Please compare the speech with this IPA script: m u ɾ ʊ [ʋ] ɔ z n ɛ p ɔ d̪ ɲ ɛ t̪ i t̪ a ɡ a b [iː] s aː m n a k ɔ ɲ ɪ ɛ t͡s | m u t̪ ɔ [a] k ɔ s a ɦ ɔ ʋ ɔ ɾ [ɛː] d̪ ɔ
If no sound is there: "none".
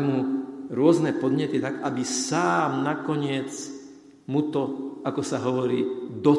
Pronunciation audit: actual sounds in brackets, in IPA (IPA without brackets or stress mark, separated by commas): none, i, a, iː